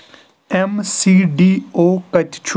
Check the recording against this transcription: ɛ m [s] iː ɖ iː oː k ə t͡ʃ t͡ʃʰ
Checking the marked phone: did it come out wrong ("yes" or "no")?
no